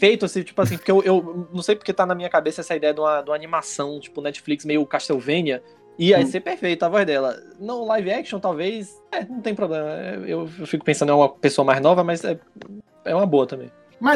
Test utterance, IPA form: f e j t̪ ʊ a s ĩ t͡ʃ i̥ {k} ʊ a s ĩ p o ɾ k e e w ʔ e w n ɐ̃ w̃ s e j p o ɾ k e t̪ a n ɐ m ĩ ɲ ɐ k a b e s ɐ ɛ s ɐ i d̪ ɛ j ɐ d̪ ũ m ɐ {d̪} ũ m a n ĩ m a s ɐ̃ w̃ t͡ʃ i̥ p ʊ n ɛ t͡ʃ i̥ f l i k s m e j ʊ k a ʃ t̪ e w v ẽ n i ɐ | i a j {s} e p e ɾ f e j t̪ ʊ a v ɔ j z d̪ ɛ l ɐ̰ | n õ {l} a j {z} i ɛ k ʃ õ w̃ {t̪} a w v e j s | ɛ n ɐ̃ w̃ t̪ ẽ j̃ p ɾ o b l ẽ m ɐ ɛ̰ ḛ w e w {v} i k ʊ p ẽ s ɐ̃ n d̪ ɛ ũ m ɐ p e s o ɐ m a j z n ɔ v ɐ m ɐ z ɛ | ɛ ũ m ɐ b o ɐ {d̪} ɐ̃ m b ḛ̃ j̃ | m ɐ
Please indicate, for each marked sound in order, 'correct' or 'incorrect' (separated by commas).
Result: incorrect, correct, correct, correct, incorrect, correct, incorrect, incorrect